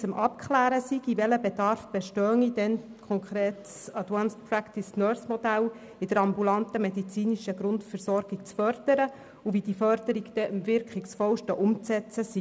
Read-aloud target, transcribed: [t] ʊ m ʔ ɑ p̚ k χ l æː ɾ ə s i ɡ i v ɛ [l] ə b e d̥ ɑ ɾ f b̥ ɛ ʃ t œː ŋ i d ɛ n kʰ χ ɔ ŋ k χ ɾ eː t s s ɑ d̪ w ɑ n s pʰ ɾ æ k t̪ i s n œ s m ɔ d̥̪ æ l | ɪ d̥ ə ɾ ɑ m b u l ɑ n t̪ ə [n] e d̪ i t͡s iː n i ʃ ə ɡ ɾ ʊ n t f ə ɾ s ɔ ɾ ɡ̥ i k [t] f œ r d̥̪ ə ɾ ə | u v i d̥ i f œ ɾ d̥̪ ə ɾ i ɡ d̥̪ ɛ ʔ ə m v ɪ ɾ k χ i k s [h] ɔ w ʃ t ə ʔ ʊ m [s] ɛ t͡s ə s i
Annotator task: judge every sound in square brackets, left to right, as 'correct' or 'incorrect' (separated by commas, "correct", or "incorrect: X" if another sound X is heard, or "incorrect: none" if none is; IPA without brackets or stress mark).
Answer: incorrect: t͡s, correct, incorrect: m, incorrect: t͡s, incorrect: f, incorrect: t͡s